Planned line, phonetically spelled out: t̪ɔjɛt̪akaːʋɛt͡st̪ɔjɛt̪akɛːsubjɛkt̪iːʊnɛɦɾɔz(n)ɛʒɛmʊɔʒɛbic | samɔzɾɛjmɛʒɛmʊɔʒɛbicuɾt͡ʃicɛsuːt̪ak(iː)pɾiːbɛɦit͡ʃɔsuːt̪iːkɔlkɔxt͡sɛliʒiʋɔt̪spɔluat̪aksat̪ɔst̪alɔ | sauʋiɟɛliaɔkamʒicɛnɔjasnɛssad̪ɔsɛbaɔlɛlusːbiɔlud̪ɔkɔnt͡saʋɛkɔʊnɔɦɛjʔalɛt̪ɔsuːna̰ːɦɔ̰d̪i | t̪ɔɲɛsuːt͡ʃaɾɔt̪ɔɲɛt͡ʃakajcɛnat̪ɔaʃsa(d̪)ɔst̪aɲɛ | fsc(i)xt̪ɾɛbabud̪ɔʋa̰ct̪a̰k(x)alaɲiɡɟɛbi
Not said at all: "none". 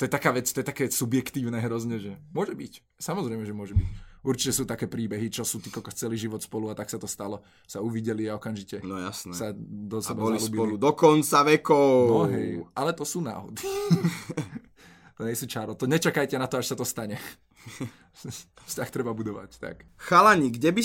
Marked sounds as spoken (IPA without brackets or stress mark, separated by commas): ɲ, ɛː, t̪, a, x